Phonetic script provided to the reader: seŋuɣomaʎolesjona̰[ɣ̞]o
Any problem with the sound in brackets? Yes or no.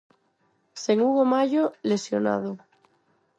yes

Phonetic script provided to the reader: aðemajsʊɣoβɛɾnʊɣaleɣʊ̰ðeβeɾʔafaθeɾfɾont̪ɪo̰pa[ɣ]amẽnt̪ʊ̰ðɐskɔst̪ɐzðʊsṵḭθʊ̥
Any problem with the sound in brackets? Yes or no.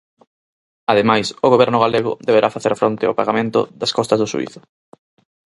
no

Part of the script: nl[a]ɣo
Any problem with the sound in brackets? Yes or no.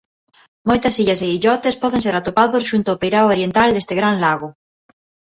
no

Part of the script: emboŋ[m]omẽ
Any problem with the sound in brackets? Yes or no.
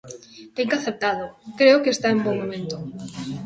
no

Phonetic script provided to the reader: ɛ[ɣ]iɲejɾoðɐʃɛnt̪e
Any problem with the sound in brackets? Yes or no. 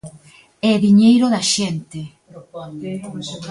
yes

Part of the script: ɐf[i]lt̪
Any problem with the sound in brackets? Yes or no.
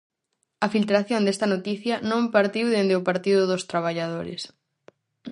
no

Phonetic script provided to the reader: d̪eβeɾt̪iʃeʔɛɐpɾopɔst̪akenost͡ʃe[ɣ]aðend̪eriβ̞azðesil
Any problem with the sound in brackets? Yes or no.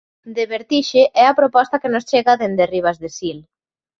no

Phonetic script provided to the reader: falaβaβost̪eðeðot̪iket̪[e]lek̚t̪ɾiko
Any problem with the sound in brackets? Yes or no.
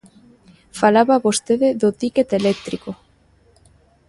no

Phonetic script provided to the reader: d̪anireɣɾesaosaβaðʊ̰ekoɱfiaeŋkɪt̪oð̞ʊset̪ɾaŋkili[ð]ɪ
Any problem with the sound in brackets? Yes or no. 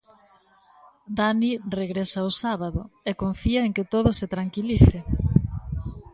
yes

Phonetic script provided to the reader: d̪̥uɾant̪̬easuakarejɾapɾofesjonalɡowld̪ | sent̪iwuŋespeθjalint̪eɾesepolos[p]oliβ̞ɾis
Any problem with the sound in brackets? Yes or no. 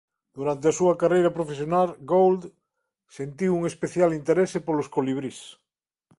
yes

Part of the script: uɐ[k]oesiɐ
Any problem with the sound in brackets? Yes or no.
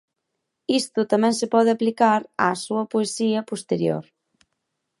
yes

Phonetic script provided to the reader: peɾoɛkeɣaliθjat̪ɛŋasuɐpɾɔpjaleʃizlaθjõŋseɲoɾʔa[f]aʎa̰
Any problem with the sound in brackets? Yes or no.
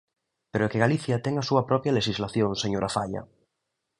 no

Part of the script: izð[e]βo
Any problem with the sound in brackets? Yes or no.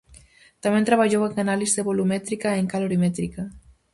no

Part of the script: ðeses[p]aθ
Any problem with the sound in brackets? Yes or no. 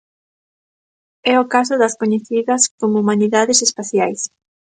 no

